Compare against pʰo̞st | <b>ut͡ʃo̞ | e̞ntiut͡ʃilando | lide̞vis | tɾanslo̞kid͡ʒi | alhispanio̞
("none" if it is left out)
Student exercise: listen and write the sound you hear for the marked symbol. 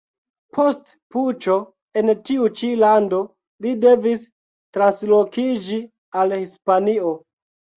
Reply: p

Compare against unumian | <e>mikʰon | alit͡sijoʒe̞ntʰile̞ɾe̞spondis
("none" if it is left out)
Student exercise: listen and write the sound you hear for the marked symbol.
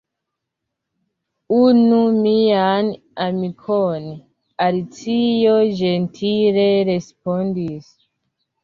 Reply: a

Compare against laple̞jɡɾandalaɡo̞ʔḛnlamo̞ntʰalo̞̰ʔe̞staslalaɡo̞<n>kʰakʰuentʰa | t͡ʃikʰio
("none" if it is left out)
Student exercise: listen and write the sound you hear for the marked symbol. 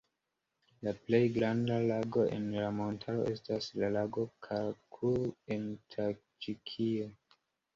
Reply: none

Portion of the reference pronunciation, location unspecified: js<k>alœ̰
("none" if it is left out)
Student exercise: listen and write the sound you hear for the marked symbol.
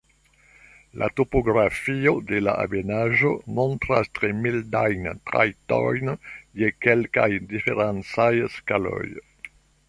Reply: k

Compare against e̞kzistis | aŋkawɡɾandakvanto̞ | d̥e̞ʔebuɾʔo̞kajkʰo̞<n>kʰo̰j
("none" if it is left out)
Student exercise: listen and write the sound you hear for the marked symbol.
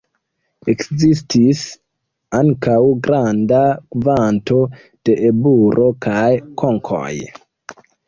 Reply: ŋ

